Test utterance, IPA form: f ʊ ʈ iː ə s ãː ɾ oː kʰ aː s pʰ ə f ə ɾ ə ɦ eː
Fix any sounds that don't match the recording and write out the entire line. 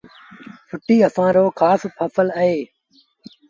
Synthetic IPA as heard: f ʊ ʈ iː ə s ãː ɾ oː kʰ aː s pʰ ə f ə l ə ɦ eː